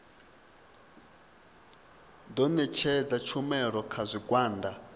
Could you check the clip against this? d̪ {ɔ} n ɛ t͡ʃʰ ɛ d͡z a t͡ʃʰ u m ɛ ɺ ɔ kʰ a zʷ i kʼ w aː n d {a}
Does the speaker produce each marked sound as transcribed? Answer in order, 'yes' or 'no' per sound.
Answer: yes, yes

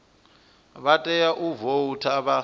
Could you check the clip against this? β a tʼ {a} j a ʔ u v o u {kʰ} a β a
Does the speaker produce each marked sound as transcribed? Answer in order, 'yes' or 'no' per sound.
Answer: no, no

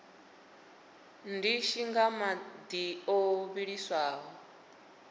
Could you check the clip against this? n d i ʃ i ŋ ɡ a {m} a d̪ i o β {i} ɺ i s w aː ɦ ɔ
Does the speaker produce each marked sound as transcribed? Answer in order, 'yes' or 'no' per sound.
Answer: yes, yes

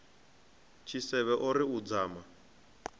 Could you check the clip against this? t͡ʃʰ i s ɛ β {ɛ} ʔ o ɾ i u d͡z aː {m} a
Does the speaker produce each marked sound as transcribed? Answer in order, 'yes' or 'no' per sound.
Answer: yes, yes

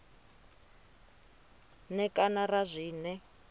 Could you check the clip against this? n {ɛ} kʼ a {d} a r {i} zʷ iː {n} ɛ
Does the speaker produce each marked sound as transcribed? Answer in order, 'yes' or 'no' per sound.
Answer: yes, no, no, yes

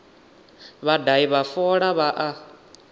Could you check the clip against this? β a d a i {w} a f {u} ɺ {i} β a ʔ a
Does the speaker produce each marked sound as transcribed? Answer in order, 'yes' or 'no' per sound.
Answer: no, no, no

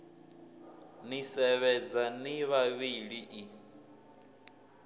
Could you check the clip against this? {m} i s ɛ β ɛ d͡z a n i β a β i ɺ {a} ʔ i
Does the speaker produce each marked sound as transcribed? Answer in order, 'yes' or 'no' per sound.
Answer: no, no

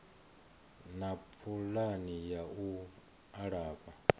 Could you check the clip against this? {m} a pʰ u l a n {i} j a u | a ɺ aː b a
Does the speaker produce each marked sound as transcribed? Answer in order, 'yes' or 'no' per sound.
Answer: no, yes

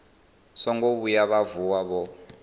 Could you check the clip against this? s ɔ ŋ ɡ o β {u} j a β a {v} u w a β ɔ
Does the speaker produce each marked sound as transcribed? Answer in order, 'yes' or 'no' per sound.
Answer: yes, yes

